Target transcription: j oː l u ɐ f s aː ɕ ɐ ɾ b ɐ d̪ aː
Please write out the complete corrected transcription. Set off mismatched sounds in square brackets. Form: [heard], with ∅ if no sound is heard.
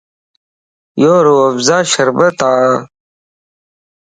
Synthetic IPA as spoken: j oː [ɾ] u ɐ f [z] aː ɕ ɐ ɾ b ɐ [t̪] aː